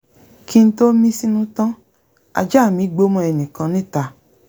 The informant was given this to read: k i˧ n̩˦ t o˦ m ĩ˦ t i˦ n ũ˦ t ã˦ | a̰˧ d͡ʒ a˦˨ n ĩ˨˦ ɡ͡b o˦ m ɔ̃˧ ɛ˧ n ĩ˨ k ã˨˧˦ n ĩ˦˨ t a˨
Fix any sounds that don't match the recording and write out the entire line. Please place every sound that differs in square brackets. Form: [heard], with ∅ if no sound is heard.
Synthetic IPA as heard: k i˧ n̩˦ t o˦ m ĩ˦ [s] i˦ n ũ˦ t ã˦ | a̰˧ d͡ʒ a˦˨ [m] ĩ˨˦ ɡ͡b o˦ m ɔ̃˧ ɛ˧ n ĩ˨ k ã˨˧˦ n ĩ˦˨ t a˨